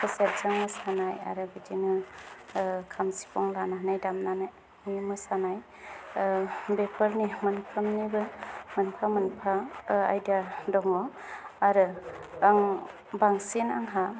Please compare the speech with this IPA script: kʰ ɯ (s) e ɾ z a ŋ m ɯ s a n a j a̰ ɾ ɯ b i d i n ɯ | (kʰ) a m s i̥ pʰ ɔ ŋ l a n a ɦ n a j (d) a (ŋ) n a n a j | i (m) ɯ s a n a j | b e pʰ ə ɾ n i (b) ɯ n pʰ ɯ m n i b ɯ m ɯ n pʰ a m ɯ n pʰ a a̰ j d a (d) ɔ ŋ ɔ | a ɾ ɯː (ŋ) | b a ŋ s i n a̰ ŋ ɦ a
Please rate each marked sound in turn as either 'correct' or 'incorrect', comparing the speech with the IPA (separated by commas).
correct, correct, correct, incorrect, correct, incorrect, correct, correct